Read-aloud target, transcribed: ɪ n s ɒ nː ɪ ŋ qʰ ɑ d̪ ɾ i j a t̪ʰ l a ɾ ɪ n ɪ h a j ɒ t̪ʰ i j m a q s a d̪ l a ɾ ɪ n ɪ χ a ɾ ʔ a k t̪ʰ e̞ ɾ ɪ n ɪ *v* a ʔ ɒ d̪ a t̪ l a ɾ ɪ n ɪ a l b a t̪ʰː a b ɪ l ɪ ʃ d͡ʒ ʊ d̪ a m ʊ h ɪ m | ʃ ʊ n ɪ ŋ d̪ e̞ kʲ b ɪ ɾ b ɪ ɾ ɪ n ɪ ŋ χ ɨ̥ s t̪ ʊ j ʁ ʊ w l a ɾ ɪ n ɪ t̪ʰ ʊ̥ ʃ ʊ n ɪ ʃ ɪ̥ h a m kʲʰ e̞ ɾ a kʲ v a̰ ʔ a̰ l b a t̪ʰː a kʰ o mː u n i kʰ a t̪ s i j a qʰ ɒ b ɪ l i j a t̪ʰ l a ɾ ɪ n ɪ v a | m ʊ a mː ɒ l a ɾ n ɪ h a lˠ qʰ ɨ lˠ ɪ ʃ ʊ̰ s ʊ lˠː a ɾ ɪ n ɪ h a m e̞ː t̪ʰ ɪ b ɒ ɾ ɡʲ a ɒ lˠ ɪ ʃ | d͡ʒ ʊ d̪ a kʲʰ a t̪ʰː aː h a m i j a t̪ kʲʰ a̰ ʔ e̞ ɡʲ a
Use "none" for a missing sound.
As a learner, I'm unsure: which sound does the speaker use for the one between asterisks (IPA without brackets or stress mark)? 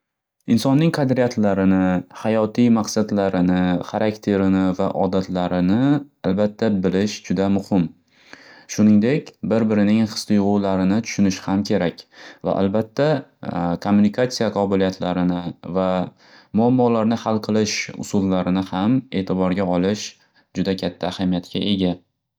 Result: v